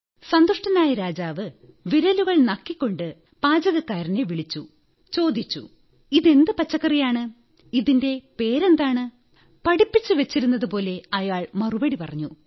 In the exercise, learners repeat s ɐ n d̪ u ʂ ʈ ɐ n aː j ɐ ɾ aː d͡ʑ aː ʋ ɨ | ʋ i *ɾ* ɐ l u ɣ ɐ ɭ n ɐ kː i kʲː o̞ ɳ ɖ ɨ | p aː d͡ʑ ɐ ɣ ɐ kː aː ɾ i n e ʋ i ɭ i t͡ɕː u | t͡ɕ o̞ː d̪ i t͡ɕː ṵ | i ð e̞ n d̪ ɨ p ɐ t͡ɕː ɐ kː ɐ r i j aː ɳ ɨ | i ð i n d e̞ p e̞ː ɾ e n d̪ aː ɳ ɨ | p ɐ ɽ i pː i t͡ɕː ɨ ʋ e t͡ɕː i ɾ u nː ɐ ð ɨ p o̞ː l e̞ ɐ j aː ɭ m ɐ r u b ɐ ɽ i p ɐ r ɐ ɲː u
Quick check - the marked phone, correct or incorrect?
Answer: correct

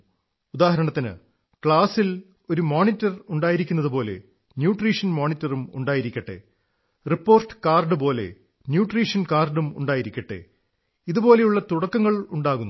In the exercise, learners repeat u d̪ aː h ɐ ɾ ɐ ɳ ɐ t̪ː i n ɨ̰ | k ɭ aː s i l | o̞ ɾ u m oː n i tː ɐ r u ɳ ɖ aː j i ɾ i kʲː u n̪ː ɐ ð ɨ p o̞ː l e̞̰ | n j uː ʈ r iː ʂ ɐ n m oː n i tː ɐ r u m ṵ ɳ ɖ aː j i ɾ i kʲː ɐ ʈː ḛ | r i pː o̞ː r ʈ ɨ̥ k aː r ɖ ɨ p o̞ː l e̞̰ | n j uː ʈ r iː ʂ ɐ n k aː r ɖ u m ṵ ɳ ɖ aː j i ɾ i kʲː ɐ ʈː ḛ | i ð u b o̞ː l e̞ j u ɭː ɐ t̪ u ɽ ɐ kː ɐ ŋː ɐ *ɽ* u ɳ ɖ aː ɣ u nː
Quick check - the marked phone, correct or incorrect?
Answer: incorrect: ɭ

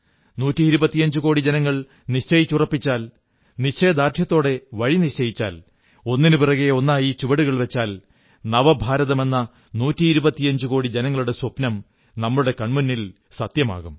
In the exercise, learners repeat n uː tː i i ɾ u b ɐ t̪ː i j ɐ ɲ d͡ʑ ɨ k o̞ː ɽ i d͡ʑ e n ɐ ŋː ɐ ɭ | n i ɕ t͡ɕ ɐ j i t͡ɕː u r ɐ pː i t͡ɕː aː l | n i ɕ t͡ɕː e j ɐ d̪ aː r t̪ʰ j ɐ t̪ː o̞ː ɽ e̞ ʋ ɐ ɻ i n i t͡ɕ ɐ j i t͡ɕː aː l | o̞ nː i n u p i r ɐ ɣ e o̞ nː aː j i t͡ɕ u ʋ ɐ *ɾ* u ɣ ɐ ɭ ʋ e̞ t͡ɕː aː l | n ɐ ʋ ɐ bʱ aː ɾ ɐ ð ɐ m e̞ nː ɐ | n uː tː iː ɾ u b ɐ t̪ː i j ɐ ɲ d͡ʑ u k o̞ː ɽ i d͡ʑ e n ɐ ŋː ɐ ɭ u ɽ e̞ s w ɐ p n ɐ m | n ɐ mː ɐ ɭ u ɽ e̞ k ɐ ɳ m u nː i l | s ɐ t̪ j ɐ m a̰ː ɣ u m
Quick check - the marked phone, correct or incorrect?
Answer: incorrect: ɽ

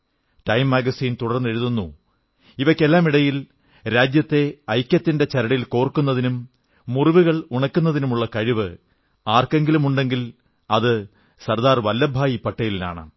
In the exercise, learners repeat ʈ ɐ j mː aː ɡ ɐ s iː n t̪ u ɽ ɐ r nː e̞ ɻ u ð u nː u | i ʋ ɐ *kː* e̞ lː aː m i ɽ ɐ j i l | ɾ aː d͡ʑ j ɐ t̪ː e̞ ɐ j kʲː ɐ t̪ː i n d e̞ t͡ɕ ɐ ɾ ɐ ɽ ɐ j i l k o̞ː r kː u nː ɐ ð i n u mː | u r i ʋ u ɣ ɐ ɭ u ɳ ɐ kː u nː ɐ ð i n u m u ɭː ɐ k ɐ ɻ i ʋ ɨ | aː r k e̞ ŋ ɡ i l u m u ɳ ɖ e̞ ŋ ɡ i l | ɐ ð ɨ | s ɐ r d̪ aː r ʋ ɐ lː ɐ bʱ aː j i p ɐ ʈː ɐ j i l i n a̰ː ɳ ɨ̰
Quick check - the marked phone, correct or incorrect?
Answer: correct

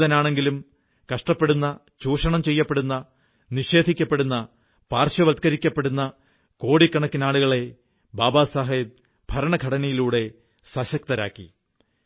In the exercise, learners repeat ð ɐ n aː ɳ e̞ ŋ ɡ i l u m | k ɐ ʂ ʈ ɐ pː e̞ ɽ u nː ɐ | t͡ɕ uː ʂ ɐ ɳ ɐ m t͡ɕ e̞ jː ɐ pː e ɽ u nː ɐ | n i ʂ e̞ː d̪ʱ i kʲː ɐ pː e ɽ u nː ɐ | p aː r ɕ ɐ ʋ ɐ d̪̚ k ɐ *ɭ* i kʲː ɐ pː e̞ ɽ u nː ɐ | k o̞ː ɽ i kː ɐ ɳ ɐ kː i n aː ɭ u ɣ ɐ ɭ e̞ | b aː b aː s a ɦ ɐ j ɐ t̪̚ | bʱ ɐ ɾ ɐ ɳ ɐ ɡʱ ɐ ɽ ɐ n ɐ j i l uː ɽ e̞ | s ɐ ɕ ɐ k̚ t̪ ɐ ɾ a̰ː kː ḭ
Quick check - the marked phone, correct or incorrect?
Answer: incorrect: ɾ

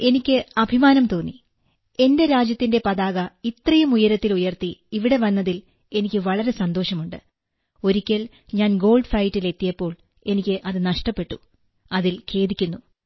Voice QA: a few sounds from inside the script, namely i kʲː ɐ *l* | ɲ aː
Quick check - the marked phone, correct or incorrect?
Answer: correct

